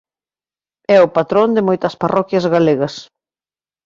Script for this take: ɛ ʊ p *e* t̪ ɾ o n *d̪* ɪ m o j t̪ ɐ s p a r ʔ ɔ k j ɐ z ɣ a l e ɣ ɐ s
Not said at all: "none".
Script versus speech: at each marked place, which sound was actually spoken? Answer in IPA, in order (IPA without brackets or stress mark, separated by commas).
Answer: a, d̪